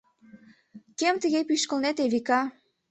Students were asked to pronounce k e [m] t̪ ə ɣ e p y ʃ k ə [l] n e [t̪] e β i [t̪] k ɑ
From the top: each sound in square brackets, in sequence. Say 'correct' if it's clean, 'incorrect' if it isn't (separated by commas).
correct, correct, correct, incorrect